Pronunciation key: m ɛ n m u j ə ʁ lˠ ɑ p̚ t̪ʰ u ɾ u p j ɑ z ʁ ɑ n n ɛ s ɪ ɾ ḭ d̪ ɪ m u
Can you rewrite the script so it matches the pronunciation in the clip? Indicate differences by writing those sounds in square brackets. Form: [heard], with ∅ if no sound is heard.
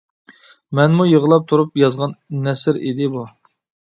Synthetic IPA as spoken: m ɛ n m u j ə ʁ lˠ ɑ p̚ t̪ʰ u ɾ u p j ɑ z ʁ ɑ n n ɛ s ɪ ɾ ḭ d̪ ɪ [b] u